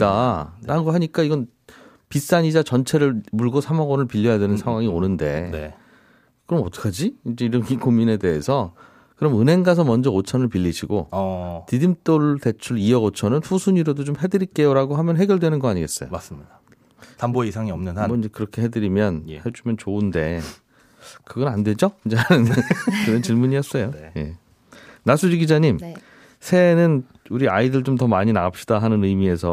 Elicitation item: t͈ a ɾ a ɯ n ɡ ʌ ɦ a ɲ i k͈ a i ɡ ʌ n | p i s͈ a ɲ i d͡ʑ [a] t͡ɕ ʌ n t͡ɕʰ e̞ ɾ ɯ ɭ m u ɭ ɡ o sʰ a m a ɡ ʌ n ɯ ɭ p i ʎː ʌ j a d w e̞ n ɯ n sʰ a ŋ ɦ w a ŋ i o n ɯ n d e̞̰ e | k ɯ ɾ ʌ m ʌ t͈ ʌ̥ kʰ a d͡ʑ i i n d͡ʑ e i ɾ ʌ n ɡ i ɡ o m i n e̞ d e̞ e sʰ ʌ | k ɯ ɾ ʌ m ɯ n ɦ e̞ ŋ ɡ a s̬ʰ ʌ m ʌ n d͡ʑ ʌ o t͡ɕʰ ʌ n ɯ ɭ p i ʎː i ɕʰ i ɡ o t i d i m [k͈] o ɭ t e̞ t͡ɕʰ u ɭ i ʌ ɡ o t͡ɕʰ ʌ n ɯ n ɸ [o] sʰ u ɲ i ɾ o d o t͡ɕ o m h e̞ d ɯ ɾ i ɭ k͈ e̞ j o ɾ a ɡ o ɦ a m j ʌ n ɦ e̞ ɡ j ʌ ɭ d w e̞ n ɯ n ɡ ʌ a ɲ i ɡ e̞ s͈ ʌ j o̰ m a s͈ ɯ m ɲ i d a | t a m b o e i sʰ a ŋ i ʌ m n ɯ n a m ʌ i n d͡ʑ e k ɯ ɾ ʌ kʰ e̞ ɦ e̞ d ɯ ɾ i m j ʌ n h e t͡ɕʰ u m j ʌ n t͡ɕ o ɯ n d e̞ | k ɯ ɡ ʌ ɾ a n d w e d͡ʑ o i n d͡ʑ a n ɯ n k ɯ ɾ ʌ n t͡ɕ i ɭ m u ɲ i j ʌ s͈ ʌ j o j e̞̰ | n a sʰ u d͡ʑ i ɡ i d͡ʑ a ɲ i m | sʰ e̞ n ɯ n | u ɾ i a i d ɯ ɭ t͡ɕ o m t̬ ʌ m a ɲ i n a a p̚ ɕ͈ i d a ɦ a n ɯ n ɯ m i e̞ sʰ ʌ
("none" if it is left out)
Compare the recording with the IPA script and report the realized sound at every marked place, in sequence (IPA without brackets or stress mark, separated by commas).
a, t͈, u